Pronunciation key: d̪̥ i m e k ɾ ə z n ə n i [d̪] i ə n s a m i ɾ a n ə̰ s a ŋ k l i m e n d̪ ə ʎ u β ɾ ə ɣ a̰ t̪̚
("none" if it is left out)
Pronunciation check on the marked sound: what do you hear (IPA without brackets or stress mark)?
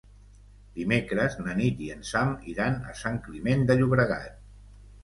t̪